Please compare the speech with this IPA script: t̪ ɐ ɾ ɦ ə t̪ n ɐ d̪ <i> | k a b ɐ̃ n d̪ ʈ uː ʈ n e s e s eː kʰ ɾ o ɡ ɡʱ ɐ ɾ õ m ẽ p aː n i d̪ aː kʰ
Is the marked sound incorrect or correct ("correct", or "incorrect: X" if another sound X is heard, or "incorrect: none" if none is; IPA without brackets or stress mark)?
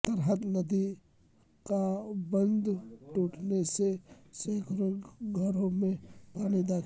correct